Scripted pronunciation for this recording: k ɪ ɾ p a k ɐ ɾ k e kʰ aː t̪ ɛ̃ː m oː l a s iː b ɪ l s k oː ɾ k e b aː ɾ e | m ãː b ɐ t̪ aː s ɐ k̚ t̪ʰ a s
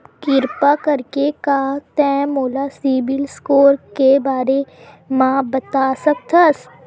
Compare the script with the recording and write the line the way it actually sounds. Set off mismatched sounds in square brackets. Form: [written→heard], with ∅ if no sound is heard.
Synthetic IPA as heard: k ɪ ɾ p a k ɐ ɾ k e [kʰ→k] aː t̪ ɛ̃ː m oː l a s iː b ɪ l s k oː ɾ k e b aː ɾ e | m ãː b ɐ t̪ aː s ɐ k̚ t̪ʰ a s